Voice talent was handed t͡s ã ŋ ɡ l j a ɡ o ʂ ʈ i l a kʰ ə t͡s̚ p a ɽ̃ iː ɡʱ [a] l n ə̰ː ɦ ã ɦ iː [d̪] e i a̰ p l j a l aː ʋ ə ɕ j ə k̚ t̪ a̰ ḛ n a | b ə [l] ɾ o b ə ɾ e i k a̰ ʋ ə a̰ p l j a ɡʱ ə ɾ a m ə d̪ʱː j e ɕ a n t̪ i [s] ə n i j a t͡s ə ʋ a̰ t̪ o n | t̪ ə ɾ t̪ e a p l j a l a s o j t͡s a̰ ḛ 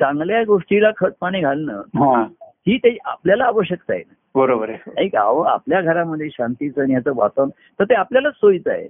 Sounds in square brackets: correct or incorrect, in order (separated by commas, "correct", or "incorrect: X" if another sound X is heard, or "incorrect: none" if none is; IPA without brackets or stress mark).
correct, incorrect: t̪, incorrect: none, incorrect: t͡s